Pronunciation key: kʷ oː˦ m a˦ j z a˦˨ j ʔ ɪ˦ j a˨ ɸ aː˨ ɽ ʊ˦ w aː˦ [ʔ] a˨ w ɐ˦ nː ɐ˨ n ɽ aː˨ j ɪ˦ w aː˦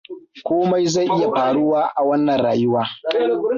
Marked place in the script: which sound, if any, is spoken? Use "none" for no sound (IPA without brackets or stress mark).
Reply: ʔ